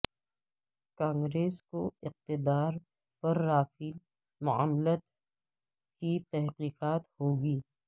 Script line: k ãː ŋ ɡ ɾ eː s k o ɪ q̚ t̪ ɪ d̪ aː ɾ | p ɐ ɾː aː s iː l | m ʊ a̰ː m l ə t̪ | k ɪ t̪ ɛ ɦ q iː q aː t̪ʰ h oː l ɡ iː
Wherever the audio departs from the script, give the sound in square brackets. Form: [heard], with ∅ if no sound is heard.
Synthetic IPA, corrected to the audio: k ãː ŋ ɡ ɾ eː s k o ɪ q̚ t̪ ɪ d̪ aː ɾ | p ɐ ɾː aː [f] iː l | m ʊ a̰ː m l ə t̪ | k [i] t̪ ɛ ɦ q iː q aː [t̪] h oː [∅] ɡ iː